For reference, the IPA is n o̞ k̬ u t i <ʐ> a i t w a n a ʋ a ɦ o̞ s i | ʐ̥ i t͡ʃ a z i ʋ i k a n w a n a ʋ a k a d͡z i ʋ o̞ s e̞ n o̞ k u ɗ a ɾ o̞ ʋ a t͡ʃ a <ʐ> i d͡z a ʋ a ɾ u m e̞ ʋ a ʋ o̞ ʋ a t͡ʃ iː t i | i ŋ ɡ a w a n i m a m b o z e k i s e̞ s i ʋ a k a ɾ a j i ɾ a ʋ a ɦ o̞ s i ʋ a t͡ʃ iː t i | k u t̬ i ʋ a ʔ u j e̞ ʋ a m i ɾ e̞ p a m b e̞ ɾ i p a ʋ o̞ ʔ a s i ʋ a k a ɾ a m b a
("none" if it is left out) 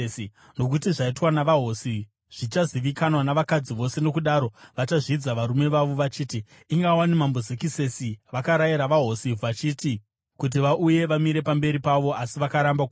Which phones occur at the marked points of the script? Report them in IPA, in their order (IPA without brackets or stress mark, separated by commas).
ʐ, ʐ